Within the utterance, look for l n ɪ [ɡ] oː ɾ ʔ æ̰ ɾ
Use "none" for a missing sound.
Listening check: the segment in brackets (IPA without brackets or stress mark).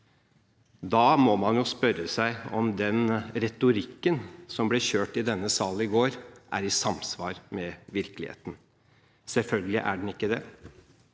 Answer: ɡ